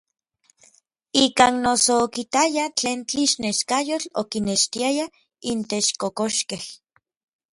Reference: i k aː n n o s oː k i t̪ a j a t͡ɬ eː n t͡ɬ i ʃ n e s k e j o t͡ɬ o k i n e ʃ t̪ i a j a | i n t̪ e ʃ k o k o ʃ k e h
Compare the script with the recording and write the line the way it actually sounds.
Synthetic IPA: i k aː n n o s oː k i t̪ a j a t͡ɬ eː n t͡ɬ i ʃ n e ʃ k a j o t͡ɬ o k i n e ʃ t̪ i a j a | i n t̪ e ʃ k o k o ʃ k e h